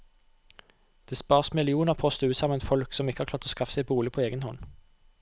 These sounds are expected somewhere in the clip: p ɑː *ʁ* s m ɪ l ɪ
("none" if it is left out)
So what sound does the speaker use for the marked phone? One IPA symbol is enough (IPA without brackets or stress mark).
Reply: ʁ